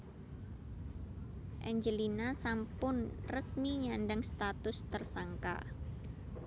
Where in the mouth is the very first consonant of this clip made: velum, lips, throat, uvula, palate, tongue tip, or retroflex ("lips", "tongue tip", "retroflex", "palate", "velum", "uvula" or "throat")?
throat